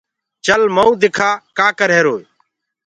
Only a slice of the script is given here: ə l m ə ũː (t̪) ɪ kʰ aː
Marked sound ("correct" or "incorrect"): incorrect